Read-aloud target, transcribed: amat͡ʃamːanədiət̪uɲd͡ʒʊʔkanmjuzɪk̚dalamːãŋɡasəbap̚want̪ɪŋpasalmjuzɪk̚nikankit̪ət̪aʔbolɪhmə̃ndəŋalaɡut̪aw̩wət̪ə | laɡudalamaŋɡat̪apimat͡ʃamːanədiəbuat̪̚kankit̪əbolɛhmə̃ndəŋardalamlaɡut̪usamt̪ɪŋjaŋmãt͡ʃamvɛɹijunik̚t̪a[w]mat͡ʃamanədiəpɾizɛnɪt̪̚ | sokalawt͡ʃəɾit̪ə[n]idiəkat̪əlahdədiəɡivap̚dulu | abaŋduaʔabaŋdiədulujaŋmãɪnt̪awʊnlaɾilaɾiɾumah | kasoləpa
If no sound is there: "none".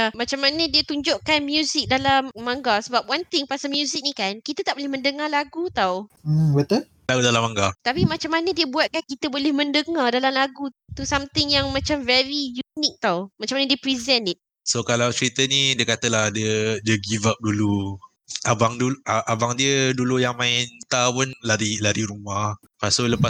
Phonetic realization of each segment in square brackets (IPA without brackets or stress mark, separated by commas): w, n